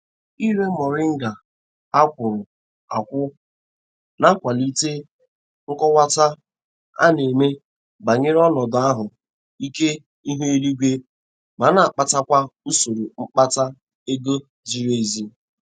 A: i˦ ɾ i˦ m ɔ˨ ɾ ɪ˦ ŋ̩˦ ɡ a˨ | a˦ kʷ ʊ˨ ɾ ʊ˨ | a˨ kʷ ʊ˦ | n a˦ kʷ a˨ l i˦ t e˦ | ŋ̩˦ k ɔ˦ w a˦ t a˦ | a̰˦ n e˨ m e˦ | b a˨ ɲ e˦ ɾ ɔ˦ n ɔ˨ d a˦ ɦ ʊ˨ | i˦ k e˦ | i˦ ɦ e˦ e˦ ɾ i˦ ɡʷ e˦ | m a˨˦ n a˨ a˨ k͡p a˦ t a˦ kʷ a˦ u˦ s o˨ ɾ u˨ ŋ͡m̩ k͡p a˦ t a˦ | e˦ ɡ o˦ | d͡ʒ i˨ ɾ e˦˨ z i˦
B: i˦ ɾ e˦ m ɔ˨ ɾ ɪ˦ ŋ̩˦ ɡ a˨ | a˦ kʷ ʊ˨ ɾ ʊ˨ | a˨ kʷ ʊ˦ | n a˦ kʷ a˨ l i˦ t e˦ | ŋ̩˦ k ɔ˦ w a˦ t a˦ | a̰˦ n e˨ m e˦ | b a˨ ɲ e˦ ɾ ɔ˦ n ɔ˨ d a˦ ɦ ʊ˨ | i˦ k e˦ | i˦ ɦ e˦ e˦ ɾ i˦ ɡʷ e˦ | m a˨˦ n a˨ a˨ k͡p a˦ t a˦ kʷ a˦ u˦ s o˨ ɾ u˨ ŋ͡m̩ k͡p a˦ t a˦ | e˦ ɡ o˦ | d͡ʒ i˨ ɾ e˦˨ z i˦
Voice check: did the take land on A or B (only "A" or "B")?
B